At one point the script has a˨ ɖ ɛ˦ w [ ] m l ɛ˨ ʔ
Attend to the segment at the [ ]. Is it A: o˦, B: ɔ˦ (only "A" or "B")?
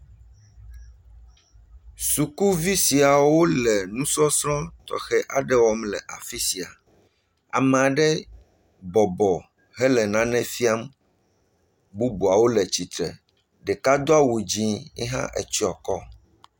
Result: B